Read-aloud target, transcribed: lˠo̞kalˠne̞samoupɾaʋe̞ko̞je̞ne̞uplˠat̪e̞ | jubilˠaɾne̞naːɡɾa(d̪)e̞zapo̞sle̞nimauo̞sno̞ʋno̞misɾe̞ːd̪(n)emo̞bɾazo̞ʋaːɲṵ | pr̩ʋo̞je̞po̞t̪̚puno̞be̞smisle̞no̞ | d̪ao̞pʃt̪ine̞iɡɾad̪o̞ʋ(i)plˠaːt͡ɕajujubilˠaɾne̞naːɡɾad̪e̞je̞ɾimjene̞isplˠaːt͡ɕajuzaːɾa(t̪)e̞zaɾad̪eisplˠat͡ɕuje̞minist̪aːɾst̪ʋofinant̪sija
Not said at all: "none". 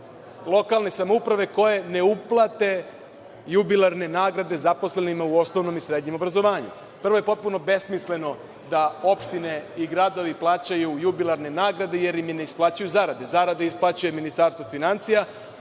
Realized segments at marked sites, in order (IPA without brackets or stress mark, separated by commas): d̪, ɲ, i, d̪